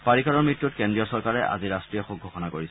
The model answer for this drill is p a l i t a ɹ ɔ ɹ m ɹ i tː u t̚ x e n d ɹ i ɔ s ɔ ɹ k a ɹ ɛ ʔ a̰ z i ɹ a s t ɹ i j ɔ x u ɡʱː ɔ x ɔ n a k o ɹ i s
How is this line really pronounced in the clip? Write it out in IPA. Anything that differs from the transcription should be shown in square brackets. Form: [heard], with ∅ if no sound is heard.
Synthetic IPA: p a [ɹ] i [k] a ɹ ɔ ɹ m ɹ i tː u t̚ [k] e n d ɹ i ɔ s ɔ ɹ k a ɹ ɛ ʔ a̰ z i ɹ a s t ɹ i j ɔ x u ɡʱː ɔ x ɔ n a k o ɹ i s